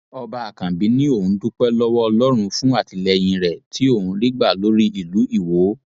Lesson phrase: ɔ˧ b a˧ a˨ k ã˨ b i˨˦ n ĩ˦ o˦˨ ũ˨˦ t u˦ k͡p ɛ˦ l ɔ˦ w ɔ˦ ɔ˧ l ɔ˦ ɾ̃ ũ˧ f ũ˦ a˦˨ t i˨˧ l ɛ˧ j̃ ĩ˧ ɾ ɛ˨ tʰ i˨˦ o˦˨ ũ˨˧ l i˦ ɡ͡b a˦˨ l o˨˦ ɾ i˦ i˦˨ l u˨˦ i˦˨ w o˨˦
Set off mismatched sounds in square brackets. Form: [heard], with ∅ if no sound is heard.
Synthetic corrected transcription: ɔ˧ b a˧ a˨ k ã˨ b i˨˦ n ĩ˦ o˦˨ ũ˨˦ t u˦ k͡p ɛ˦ l ɔ˦ w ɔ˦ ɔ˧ l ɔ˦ ɾ̃ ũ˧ f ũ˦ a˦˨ t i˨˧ l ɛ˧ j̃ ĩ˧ ɾ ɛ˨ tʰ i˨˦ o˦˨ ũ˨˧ l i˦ ɡ͡b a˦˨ l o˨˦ ɾ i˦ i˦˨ l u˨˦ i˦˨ w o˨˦